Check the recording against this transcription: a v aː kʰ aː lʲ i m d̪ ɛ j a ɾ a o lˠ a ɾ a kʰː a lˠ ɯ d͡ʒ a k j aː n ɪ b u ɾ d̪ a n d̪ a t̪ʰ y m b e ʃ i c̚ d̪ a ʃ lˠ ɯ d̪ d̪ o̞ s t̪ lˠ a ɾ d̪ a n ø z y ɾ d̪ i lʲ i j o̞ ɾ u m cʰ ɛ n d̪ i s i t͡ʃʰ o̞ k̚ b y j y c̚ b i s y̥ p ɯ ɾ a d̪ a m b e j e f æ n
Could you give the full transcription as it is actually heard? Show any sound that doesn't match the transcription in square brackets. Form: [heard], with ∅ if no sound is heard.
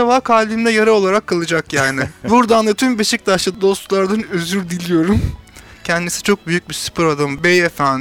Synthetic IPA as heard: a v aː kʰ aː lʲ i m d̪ ɛ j a ɾ a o lˠ a ɾ a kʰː a lˠ ɯ d͡ʒ a k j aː n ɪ b u ɾ d̪ a n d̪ a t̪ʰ y m b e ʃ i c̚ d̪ a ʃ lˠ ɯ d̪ d̪ o̞ s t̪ lˠ a ɾ d̪ a n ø z y ɾ d̪ i lʲ i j o̞ ɾ u m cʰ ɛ n d̪ i s i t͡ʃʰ o̞ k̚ b y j y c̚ b i s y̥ p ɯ ɾ a d̪ a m b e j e f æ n